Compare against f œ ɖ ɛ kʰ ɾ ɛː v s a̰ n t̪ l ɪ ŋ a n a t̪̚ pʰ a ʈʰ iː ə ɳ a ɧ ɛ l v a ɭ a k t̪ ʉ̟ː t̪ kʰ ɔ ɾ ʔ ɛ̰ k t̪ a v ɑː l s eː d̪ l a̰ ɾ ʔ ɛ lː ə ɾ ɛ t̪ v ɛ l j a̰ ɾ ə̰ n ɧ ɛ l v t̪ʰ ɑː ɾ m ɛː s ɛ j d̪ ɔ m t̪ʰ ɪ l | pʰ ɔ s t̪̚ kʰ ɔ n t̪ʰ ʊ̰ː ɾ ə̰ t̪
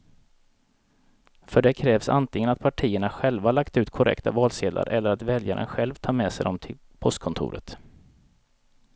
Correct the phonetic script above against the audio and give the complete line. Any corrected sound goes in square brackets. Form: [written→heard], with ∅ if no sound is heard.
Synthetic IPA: f œ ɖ ɛ kʰ ɾ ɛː v s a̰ n t̪ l ɪ ŋ [a→ə] n a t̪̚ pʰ a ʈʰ iː ə ɳ a ɧ ɛ l v a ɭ a k t̪ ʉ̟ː t̪ kʰ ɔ ɾ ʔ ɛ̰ k t̪ a v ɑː l s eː d̪ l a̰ ɾ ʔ ɛ lː ə ɾ [ɛ→a] t̪ v ɛ l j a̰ ɾ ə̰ n ɧ ɛ l v t̪ʰ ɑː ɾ m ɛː s ɛ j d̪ ɔ m t̪ʰ ɪ l | pʰ ɔ s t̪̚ kʰ ɔ n t̪ʰ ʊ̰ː ɾ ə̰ t̪